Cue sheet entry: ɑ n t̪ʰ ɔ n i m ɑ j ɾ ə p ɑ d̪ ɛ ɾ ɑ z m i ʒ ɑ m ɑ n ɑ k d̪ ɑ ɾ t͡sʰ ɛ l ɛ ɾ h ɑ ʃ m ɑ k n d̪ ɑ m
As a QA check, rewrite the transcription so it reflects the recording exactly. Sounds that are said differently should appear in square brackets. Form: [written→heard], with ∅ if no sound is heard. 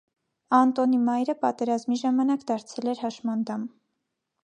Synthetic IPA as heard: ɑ n [t̪ʰ→t̪] ɔ n i m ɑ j ɾ ə p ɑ [d̪→t̪] ɛ ɾ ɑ z m i ʒ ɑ m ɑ n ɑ k d̪ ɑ ɾ t͡sʰ ɛ l ɛ ɾ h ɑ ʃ m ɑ [k→∅] n d̪ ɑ m